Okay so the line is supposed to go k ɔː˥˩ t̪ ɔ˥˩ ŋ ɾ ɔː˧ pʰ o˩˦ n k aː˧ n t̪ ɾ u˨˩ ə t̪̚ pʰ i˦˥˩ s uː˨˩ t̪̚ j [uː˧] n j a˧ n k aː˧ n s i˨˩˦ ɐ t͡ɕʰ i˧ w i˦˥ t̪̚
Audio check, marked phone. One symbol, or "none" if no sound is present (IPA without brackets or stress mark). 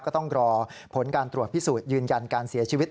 ɯː˧